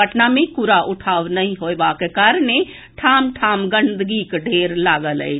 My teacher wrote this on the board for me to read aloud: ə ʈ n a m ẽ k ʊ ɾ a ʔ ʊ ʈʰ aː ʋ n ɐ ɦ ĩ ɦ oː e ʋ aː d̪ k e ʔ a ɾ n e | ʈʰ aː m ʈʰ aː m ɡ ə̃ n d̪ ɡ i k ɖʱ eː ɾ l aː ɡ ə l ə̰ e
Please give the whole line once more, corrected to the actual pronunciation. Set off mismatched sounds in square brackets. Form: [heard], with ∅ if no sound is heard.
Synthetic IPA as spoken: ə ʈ n a m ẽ k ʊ ɾ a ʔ ʊ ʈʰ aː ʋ n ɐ ɦ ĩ ɦ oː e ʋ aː [∅] k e [k] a ɾ n e | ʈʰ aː m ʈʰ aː m ɡ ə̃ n d̪ ɡ i k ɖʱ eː ɾ l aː ɡ ə l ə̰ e